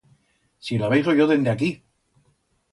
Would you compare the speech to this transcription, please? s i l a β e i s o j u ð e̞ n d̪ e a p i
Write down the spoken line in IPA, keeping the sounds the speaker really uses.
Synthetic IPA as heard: s i l a β e j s o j o ð e̞ n d̪ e a k i